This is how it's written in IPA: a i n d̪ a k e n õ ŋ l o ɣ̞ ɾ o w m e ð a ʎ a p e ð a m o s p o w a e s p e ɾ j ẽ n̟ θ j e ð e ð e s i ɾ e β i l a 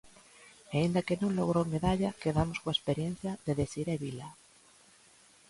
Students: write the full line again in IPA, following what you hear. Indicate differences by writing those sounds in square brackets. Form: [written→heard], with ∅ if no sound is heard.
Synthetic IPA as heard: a i n d̪ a k e n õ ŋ l o ɣ̞ ɾ o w m e ð a ʎ a [p→k] e ð a m o s [p→k] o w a e s p e ɾ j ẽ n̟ θ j [e→a] ð e ð e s i ɾ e β i l a